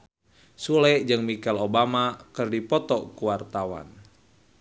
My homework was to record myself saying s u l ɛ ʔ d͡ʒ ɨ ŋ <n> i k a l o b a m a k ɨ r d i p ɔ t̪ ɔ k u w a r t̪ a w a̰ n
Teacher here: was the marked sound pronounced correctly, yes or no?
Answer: no